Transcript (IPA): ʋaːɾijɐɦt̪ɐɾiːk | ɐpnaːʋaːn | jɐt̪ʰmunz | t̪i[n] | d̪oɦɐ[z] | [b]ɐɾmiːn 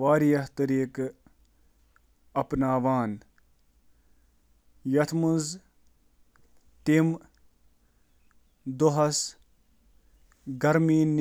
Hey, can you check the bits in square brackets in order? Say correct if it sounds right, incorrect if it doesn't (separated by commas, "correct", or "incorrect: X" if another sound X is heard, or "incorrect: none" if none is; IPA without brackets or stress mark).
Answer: incorrect: m, incorrect: s, incorrect: ɡ